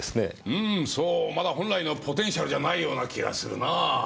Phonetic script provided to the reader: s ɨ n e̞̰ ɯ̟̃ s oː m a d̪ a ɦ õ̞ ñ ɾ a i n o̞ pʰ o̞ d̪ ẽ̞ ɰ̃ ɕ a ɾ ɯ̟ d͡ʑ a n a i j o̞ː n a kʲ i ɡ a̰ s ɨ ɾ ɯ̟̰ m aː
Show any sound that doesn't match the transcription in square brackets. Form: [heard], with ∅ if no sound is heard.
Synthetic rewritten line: s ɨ n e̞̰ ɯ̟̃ s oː m a d̪ a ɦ õ̞ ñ ɾ a i n o̞ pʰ o̞ [t̪] ẽ̞ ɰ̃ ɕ a ɾ ɯ̟ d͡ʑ a n a i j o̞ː n a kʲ i ɡ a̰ s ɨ ɾ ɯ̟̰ [n] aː